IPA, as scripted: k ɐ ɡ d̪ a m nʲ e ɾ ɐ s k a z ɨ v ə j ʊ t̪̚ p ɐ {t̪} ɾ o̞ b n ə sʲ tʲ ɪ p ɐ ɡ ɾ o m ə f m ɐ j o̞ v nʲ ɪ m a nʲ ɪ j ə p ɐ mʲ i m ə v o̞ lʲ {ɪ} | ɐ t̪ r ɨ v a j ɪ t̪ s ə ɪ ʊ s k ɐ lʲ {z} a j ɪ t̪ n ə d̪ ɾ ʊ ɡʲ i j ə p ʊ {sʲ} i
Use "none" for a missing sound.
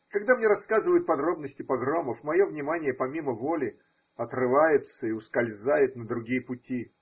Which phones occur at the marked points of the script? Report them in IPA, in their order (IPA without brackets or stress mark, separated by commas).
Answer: d̪, ɪ, z, tʲ